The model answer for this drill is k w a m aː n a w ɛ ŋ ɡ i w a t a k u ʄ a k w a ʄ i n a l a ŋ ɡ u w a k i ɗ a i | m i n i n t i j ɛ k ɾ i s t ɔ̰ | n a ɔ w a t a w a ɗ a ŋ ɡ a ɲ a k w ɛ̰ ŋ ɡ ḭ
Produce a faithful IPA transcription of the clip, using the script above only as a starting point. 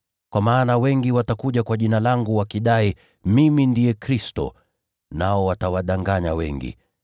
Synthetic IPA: k w a m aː n a w ɛ ŋ ɡ i w a t a k u ʄ a k w a ʄ i n a l a ŋ ɡ u w a k i ɗ a i | m i m i n d i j ɛ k ɾ i s t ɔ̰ | n a ɔ w a t a w a ɗ a ŋ ɡ a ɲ a w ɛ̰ ŋ ɡ ḭ